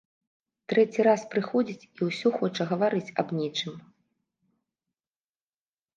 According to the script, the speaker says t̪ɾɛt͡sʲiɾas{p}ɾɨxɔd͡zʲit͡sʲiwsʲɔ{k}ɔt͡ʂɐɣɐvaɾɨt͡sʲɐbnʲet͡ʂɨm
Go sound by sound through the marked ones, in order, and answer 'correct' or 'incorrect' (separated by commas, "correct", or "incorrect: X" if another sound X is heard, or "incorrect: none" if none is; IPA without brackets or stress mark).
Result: correct, incorrect: x